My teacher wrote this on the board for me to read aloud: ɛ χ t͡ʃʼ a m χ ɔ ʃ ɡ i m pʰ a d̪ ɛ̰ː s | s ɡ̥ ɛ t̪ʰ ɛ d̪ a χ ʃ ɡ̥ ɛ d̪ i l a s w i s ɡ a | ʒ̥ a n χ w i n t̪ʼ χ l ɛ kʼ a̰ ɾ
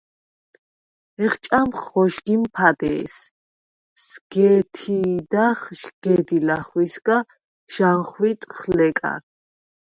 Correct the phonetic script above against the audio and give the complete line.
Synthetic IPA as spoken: ɛ χ t͡ʃʼ a m χ ɔ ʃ ɡ i m pʰ a d̪ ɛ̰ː s | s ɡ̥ ɛ t̪ʰ i d̪ a χ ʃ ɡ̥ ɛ d̪ i l a χ w i s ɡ a | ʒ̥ a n χ w i t̪ʼ χ l ɛ kʼ a̰ ɾ